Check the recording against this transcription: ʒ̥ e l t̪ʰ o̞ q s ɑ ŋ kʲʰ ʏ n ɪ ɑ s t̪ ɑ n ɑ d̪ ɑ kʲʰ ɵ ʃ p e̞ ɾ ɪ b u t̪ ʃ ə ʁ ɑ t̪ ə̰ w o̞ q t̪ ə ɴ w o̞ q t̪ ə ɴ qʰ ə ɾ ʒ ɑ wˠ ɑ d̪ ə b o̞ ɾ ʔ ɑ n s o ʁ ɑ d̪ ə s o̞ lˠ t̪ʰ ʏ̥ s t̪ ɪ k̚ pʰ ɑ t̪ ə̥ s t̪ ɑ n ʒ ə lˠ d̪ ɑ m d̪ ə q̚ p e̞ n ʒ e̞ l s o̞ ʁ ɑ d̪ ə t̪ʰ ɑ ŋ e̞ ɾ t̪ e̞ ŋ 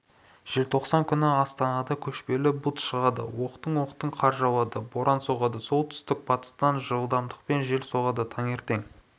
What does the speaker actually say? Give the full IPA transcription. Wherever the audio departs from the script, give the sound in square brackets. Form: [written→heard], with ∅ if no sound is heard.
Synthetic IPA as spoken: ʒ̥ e l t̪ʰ o̞ q s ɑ ŋ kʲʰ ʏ n ɪ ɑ s t̪ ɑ n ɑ d̪ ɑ kʲʰ ɵ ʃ p e̞ [ɾ→l] ɪ b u t̪ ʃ ə ʁ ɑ [t̪→d̪] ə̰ w o̞ q t̪ ə ɴ w o̞ q t̪ ə ɴ qʰ [ə→ɑ] ɾ ʒ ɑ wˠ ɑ d̪ ə b o̞ ɾ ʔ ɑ n s o ʁ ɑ d̪ ə s o̞ lˠ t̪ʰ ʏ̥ s t̪ ɪ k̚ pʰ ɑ t̪ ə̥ s t̪ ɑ n ʒ ə lˠ d̪ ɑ m d̪ ə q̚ p e̞ n ʒ e̞ l s o̞ ʁ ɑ d̪ ə t̪ʰ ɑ ŋ e̞ ɾ t̪ e̞ ŋ